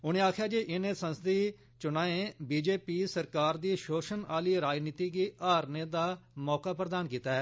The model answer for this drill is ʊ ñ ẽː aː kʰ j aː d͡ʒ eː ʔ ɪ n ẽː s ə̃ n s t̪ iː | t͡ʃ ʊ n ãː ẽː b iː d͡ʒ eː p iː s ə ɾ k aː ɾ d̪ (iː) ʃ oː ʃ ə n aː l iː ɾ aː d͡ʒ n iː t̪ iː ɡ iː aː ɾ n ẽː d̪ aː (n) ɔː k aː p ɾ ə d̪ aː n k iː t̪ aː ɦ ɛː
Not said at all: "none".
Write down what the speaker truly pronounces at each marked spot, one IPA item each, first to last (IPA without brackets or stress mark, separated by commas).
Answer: iː, m